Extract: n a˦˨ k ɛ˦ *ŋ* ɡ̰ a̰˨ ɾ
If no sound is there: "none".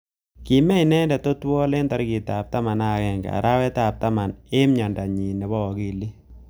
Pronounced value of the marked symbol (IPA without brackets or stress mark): ŋ